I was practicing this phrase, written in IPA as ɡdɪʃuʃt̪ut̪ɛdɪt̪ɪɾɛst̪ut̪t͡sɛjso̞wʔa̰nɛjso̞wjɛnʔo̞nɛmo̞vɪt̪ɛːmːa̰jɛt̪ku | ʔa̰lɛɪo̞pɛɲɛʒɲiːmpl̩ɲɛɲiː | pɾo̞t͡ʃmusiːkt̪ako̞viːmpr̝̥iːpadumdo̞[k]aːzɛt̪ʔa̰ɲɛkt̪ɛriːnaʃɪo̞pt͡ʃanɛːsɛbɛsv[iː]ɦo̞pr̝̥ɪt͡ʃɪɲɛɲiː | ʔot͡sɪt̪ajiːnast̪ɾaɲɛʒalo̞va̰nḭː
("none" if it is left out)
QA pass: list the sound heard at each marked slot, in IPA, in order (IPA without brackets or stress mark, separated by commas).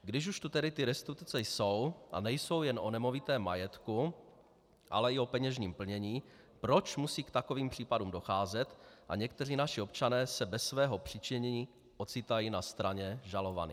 x, ɛː